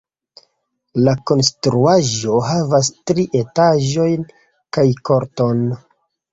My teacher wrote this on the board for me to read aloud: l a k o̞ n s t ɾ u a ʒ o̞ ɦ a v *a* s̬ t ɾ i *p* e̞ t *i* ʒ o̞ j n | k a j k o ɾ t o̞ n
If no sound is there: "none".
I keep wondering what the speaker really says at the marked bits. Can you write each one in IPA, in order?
a, ʔ, a

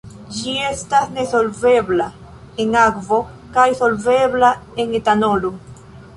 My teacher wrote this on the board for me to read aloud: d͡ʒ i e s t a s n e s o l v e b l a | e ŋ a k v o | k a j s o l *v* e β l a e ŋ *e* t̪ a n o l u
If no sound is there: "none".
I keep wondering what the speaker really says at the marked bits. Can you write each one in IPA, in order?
v, e

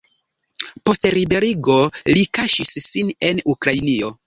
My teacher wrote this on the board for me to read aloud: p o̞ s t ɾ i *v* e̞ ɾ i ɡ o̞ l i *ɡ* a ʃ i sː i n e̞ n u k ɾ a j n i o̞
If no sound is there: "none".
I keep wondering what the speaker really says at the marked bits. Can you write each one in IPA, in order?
b, k

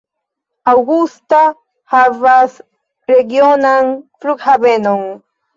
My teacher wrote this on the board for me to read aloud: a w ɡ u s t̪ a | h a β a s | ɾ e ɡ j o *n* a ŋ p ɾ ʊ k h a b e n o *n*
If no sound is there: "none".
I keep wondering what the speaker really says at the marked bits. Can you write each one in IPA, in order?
n, ŋ

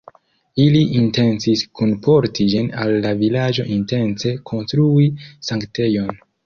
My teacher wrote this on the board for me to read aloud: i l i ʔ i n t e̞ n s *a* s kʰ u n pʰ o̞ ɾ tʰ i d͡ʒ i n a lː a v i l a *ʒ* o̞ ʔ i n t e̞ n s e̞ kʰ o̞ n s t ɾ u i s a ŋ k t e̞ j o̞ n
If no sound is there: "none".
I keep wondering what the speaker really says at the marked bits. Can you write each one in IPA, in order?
i, d͡ʒ

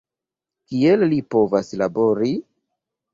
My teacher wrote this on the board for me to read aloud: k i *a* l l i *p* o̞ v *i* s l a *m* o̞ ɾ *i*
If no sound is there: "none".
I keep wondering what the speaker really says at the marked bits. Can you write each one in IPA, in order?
e, p, a, b, i

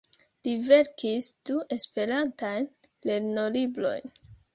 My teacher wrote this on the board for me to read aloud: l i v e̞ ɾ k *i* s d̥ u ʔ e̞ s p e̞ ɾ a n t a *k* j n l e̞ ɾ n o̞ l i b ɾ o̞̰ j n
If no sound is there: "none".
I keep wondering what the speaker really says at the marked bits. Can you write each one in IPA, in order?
i, none

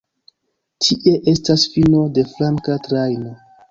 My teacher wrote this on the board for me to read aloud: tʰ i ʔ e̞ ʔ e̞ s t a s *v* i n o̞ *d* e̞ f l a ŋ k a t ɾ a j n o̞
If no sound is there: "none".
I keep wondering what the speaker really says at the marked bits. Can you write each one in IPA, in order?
f, d

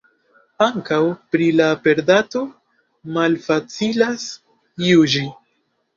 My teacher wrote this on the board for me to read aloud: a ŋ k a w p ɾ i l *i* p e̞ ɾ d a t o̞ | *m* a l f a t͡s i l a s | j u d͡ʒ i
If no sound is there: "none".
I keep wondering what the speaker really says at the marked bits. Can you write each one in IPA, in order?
a, m

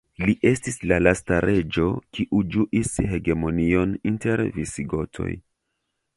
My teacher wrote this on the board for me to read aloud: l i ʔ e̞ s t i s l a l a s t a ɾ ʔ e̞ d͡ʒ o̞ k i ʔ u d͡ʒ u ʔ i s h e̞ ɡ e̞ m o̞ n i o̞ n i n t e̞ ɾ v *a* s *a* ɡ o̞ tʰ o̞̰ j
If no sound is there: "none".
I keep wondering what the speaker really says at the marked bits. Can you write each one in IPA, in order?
i, i

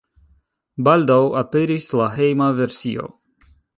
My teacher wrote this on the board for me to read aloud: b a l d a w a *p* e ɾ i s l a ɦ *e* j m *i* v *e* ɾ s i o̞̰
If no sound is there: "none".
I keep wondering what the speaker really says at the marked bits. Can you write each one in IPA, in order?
p, e, a, e

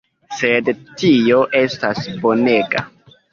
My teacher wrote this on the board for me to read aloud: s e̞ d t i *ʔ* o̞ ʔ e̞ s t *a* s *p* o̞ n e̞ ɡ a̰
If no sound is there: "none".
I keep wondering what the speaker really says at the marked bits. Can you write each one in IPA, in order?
none, a, b

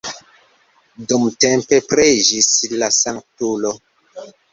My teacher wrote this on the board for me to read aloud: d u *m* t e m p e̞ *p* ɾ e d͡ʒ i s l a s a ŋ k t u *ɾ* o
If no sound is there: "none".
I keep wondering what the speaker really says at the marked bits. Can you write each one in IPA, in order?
m, p, l

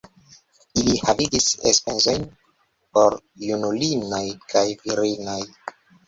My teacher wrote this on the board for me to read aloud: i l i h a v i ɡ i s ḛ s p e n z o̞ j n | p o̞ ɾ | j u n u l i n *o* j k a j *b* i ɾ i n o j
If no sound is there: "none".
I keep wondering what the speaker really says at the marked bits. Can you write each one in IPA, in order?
o, v

